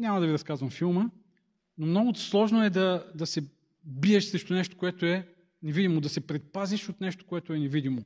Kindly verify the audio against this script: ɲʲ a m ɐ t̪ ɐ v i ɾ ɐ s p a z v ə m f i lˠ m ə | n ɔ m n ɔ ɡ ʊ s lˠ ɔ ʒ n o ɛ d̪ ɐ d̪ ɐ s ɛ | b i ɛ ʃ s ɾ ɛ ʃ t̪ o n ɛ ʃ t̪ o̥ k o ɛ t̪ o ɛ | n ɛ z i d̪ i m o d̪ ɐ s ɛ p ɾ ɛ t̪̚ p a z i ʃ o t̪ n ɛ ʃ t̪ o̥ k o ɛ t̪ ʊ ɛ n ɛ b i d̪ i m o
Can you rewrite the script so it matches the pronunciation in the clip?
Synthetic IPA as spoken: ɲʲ a m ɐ d̪ ɐ v i ɾ ɐ s k a z v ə m f i lˠ m ə | n o m n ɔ ɡ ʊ s lˠ ɔ ʒ n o ɛ d̪ ɐ d̪ ɐ s ɛ | b i ɛ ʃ s ɾ ɛ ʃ t̪ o n ɛ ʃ t̪ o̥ k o ɛ t̪ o ɛ | n ɛ v i d̪ i m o d̪ ɐ s ɛ p ɾ ɛ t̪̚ p a z i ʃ o t̪ n ɛ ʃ t̪ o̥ k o ɛ t̪ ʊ ɛ n ɛ v i d̪ i m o